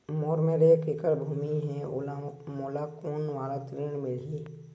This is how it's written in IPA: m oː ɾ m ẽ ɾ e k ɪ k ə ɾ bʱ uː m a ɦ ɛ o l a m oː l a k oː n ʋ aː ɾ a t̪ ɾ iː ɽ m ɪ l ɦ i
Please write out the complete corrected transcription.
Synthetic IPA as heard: m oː ɾ m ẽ ɾ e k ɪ k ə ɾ bʱ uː m i ɦ ɛ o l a m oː l a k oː n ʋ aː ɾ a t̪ ɾ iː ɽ m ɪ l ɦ i